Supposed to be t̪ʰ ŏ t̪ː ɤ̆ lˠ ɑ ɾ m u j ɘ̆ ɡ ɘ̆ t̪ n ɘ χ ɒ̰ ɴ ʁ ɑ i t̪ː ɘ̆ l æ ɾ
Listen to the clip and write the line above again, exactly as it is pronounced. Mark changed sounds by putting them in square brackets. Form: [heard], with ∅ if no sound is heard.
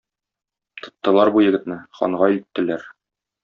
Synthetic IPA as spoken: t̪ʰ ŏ t̪ː ɤ̆ lˠ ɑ ɾ [b] u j ɘ̆ ɡ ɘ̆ t̪ n ɘ χ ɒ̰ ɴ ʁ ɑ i t̪ː ɘ̆ l æ ɾ

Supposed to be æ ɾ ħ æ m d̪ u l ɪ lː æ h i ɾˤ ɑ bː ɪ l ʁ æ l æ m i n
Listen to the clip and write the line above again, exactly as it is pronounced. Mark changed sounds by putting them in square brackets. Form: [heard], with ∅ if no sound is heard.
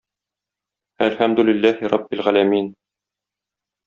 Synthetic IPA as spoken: æ [l] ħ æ m d̪ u l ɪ lː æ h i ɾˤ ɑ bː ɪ l ʁ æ l æ m i n

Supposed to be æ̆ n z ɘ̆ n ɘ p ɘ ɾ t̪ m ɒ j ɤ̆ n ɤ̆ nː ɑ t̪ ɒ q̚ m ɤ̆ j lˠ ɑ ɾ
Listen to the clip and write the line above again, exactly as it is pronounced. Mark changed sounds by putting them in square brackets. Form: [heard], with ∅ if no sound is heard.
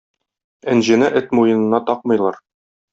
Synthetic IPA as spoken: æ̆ n [ʑ] ɘ̆ n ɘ [ʔ] ɘ [∅] t̪ m [u] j ɤ̆ n ɤ̆ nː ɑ t̪ ɒ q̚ m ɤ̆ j lˠ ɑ ɾ

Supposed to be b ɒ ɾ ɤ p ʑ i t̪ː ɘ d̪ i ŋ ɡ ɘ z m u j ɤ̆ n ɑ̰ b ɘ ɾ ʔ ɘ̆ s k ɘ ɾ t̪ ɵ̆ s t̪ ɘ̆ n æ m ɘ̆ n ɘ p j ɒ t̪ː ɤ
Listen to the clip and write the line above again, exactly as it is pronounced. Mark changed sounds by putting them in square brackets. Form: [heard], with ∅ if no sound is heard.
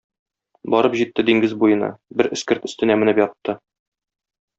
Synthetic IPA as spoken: b ɒ ɾ ɤ p ʑ i t̪ː ɘ d̪ i ŋ ɡ ɘ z [b] u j ɤ̆ n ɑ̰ b ɘ ɾ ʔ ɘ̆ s k ɘ ɾ t̪ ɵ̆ s t̪ ɘ̆ n æ m ɘ̆ n ɘ p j ɒ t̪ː ɤ

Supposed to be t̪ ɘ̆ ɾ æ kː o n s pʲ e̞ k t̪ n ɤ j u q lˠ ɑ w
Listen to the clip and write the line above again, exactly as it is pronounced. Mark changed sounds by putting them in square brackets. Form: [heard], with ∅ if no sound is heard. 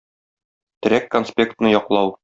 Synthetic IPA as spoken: t̪ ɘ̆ ɾ æ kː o n s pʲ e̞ k t̪ n ɤ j [ɒ] q lˠ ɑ w

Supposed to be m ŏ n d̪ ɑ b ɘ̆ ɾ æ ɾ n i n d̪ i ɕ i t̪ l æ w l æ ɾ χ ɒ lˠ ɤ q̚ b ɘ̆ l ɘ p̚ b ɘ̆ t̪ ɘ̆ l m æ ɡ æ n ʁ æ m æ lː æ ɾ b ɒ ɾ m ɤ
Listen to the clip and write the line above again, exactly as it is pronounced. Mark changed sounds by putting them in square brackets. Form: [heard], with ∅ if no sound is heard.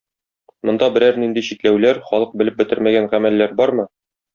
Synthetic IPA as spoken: m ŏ n d̪ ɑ b ɘ̆ ɾ æ ɾ n i n d̪ i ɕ i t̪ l æ w l æ ɾ χ ɒ lˠ ɤ q̚ b ɘ̆ l ɘ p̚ b ɘ̆ t̪ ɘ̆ [ɾ] m æ ɡ æ n ʁ æ m æ lː æ ɾ b ɒ ɾ m ɤ

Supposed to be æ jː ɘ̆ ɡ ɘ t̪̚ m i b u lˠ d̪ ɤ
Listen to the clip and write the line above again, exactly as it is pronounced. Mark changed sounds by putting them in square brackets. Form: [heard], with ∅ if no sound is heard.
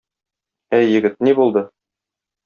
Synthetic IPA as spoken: æ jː ɘ̆ ɡ ɘ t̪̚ [n] i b u lˠ d̪ ɤ

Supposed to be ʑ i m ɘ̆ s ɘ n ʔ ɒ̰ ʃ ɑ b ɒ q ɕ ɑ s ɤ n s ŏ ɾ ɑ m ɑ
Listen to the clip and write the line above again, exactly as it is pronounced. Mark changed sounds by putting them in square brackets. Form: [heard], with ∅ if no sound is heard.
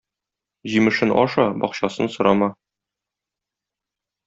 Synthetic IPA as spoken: ʑ i m ɘ̆ [ʃ] ɘ n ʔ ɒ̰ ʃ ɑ b ɒ q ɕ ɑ s ɤ n s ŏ ɾ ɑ m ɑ

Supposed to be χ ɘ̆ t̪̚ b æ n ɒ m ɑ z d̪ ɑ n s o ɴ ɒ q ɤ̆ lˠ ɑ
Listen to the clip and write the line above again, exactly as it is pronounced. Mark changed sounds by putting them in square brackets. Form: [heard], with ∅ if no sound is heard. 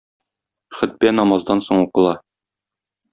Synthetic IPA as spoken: χ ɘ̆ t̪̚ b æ n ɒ m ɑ z d̪ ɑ n s o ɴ [u] q ɤ̆ lˠ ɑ

